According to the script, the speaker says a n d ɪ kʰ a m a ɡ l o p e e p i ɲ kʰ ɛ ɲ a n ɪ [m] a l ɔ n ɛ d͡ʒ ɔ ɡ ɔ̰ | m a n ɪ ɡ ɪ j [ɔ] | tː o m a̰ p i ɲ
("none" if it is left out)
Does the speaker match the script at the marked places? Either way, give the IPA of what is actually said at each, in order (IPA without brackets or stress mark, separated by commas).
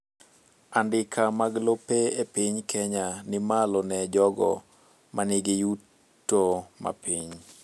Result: m, u